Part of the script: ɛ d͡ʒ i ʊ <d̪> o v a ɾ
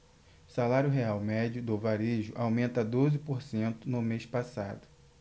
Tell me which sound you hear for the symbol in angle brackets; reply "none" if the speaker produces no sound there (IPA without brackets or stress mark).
d̪